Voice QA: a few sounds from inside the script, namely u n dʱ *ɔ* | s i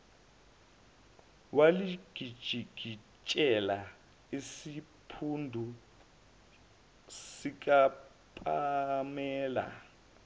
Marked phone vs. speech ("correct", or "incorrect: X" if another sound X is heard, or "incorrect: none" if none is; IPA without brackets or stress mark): incorrect: u